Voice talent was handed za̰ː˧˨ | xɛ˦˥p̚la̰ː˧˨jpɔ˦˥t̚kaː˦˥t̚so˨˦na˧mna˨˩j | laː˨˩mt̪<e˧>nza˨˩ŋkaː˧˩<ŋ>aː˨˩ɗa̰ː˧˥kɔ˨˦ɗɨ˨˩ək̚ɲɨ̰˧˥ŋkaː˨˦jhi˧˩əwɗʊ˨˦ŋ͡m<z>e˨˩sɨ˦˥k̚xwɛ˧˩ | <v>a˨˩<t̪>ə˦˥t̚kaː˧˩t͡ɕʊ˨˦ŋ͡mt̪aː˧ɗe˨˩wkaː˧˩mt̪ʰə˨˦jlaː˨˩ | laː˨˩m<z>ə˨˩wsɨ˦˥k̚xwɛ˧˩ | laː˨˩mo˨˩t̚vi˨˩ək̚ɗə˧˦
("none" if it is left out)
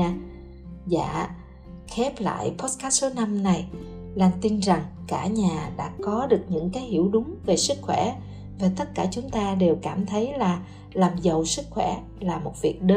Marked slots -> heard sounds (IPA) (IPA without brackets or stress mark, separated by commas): i˧, ɲ, v, v, t̪, z